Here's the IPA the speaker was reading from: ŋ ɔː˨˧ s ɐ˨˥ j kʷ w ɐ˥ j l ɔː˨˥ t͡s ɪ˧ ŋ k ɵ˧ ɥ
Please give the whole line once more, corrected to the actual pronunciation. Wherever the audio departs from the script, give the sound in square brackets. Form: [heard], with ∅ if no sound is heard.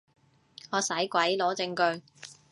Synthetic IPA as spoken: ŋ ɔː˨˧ s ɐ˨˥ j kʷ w [ɐ˨˥] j l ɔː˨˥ t͡s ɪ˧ ŋ k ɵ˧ ɥ